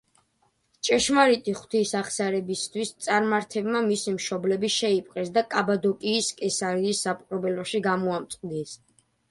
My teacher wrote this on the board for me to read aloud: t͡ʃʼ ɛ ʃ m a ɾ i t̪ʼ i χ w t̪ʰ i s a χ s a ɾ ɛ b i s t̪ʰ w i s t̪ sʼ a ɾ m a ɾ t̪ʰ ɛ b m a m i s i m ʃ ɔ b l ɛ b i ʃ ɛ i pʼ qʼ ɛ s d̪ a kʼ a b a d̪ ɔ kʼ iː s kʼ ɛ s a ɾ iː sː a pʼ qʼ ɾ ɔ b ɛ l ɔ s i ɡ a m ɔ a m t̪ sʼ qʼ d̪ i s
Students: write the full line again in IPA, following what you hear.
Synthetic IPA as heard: t͡ʃʼ ɛ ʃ m a ɾ i t̪ʼ i χ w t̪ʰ i s a χ s a ɾ ɛ b i s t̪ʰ w i s t̪ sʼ a ɾ m a ɾ t̪ʰ ɛ b m a m i s i m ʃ ɔ b l ɛ b i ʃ ɛ i pʼ qʼ ɛ s d̪ a kʼ a b a d̪ ɔ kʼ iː s kʼ ɛ s a ɾ iː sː a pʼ qʼ ɾ ɔ b ɛ l ɔ ʃ i ɡ a m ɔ a m t̪ sʼ qʼ d̪ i s